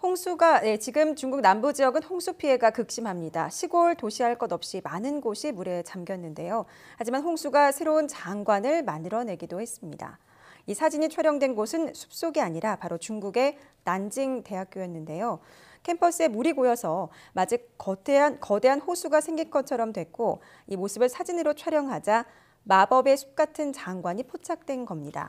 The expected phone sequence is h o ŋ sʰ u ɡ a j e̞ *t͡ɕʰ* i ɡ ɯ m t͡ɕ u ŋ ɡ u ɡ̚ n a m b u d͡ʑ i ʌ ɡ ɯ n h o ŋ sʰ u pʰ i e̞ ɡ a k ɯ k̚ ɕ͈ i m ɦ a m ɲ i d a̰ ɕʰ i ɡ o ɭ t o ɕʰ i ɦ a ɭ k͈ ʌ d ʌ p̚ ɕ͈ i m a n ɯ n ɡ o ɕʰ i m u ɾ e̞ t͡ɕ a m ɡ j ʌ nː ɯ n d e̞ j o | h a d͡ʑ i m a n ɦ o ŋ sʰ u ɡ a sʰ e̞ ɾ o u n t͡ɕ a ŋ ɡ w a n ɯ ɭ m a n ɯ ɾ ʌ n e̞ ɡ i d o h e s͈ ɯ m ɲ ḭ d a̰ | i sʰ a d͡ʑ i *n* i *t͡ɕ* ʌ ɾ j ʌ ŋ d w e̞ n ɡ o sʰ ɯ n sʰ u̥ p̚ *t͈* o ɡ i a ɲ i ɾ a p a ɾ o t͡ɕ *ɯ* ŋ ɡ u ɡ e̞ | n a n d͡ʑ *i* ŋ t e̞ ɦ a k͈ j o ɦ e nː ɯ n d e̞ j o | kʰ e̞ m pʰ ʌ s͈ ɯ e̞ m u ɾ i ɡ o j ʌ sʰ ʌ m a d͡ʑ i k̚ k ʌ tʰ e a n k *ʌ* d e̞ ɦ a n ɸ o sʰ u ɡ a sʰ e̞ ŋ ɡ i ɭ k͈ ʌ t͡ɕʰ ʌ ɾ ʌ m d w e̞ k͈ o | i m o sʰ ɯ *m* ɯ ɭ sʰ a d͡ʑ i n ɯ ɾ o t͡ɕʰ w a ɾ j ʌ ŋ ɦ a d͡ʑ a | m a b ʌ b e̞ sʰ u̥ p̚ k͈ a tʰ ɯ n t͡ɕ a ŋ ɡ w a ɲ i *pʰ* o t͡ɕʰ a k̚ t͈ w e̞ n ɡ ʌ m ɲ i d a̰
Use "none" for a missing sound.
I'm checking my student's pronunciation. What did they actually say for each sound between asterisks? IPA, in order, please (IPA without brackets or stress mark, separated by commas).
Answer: t͡ɕ, ɲ, t͡ɕʰ, s͈, u, i, ʌ, b, pʰ